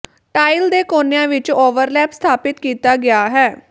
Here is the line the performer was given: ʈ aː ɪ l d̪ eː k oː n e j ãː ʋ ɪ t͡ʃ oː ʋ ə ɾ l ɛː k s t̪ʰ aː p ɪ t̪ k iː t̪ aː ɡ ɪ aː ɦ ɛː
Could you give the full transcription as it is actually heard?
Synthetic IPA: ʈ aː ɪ l d̪ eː k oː n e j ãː ʋ ɪ t͡ʃ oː ʋ ə ɾ l ɛː p s t̪ʰ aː p ɪ t̪ k iː t̪ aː ɡ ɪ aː ɦ ɛː

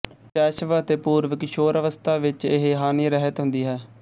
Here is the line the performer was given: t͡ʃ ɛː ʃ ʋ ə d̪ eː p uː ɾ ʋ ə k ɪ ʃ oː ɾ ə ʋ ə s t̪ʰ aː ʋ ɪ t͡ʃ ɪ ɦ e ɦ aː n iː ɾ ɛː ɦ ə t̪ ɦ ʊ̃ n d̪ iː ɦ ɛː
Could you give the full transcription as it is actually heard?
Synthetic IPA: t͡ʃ ɛː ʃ ʋ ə t̪ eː p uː ɾ ʋ ə k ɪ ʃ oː ɾ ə ʋ ə s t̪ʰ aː ʋ ɪ t͡ʃ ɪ ɦ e ɦ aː n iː ɾ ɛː ɦ ə t̪ ɦ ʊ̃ n d̪ iː ɦ ɛː

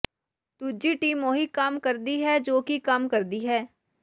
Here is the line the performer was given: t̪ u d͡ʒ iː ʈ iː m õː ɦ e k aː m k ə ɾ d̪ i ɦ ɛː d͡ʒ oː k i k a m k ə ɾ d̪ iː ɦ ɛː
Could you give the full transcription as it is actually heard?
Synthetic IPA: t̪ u d͡ʒ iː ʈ iː m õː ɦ i k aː m k ə ɾ d̪ i ɦ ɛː d͡ʒ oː k i k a m k ə ɾ d̪ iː ɦ ɛː

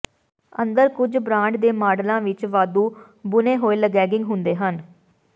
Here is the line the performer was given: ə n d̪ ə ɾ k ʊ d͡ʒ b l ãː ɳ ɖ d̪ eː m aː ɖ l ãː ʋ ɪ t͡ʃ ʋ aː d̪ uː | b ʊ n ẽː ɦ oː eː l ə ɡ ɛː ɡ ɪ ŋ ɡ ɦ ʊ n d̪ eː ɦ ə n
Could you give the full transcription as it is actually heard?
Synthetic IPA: ə n d̪ ə ɾ k ʊ d͡ʒ b ɾ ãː ɳ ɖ d̪ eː m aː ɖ l ãː ʋ ɪ t͡ʃ ʋ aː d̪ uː | b ʊ n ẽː ɦ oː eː l ə ɡ ɛː ɡ ɪ ŋ ɡ ɦ ʊ n d̪ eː ɦ ə n

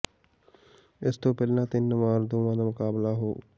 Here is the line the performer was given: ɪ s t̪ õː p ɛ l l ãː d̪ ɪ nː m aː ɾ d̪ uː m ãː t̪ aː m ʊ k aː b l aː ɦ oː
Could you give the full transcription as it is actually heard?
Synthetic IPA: ɪ s t̪ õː p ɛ l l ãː t̪ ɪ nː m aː ɾ d̪ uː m ãː d̪ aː m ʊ k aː b l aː ɦ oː

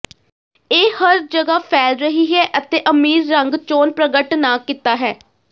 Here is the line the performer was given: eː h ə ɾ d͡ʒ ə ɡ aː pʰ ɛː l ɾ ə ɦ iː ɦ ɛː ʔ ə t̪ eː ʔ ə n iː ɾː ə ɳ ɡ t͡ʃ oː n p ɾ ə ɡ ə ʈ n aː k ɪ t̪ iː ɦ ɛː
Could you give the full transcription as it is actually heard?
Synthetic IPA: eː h ə ɾ d͡ʒ ə ɡ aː pʰ ɛː l ɾ ə ɦ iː ɦ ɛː ʔ ə t̪ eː ʔ ə m iː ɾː ə ŋ ɡ t͡ʃ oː n p ɾ ə ɡ ə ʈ n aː k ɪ t̪ aː ɦ ɛː

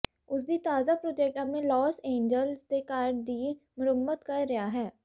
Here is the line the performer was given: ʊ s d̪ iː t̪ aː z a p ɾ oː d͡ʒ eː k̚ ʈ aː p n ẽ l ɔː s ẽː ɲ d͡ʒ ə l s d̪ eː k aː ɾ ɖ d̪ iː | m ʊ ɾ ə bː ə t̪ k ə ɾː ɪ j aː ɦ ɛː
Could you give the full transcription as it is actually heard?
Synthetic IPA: ʊ s d̪ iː t̪ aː z a p ɾ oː d͡ʒ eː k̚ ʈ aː p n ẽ l ɔː s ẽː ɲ d͡ʒ ə l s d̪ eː k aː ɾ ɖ d̪ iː | m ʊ ɾ ə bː ə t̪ k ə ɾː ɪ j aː ɦ ɛː

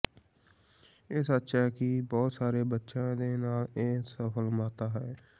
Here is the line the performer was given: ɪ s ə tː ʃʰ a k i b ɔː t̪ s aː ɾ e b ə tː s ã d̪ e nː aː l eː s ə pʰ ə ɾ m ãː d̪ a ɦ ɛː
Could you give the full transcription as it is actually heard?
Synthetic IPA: ɪ s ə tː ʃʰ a k i b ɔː t̪ s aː ɾ e b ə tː ʃ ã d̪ e n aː l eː s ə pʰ ə l m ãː t̪ a ɦ ɛː

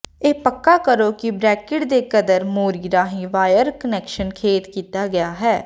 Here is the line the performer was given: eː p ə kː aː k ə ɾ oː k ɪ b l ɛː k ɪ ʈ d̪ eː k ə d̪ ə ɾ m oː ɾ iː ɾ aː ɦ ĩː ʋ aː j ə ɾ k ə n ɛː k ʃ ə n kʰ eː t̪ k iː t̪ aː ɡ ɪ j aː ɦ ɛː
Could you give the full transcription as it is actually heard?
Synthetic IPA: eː p ə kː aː k ə ɾ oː k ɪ b ɾ ɛː k ɪ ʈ d̪ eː k ə d̪ ə ɾ m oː ɾ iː ɾ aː ɦ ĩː ʋ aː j ə ɾ k ə n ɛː k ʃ ə n kʰ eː t̪ k iː t̪ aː ɡ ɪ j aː ɦ ɛː

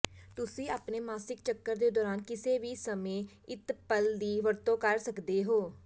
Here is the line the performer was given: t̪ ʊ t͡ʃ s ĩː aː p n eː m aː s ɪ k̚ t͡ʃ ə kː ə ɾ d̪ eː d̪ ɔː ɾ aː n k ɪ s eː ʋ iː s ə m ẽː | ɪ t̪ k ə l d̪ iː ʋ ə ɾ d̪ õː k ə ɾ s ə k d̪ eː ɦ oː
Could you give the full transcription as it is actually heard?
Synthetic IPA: t̪ ʊ s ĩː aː p n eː m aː s ɪ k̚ t͡ʃ ə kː ə ɾ d̪ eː d̪ ɔː ɾ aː n k ɪ s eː ʋ iː s ə m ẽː | ɪ t̪ p ə l d̪ iː ʋ ə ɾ t̪ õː k ə ɾ s ə k d̪ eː ɦ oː

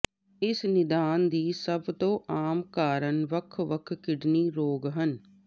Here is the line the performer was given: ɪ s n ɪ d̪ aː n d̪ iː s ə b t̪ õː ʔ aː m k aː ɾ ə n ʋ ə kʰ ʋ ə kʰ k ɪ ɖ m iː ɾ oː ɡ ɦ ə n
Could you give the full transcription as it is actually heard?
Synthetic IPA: ɪ s n ɪ d̪ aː n d̪ iː s ə b t̪ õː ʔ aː m k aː ɾ ə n ʋ ə kʰ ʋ ə kʰ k ɪ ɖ n iː ɾ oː ɡ ɦ ə n

